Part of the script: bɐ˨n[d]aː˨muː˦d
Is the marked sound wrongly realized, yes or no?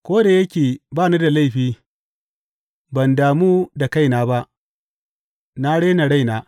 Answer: no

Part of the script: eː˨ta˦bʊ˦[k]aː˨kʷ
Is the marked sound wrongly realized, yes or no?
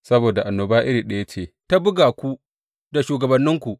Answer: yes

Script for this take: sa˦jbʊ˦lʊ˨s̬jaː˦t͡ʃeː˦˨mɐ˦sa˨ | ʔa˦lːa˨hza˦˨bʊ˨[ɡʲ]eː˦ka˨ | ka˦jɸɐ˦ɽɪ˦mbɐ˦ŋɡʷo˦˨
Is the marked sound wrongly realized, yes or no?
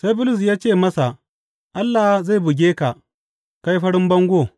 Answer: no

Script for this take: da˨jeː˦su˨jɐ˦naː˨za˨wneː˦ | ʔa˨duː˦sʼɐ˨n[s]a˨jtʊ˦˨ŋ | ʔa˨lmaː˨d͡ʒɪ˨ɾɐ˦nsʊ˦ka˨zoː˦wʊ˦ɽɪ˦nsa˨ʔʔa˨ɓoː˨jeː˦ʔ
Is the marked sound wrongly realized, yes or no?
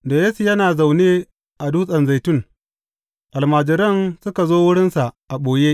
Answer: yes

